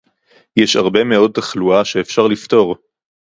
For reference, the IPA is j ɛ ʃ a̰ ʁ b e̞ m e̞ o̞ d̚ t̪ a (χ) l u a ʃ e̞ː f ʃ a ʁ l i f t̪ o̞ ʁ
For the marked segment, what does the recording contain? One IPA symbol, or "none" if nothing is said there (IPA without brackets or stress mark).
χ